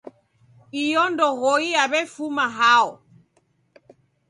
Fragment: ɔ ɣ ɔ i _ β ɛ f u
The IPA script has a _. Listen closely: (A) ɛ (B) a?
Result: B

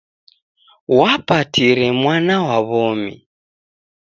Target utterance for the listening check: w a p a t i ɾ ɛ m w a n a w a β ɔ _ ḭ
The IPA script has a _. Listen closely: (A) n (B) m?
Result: B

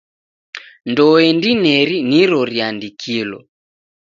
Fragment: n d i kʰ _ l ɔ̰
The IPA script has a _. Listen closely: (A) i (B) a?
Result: A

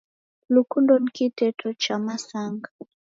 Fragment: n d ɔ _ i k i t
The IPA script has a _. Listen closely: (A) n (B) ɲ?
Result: A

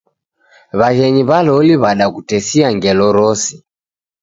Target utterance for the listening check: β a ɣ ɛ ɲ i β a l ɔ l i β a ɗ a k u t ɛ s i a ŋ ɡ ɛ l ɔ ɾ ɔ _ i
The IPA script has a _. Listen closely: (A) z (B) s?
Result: B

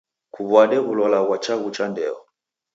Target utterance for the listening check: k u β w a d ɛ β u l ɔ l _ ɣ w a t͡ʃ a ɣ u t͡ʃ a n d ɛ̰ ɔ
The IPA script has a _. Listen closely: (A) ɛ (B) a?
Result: B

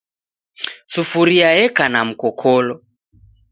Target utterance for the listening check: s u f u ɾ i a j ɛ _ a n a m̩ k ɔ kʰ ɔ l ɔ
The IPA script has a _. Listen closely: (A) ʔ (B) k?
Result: B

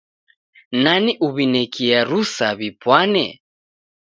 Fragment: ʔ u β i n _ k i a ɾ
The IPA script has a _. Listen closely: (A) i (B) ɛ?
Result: B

